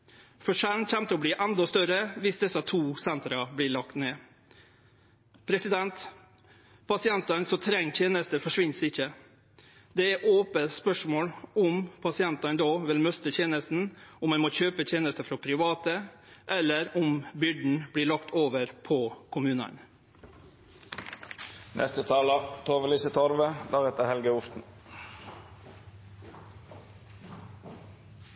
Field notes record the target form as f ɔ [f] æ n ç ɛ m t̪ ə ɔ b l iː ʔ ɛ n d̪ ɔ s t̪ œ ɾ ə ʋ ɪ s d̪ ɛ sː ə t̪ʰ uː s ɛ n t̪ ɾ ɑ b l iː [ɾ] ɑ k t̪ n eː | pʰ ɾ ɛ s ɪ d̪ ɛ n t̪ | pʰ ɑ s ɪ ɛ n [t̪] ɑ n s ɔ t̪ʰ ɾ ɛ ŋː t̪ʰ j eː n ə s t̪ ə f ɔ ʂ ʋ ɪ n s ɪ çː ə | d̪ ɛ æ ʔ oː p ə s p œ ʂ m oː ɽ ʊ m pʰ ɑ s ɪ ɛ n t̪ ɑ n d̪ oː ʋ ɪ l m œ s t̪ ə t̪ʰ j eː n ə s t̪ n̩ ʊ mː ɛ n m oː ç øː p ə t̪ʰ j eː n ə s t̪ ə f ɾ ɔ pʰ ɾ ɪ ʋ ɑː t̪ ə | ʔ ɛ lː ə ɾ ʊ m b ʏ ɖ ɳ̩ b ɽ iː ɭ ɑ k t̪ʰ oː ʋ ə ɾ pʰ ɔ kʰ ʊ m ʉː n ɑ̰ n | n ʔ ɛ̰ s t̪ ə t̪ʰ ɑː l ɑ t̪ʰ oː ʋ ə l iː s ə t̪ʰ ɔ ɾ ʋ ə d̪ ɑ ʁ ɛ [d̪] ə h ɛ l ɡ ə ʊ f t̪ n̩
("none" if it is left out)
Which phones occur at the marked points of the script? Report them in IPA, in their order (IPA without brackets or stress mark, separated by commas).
ʂ, ɭ, t̪, t̪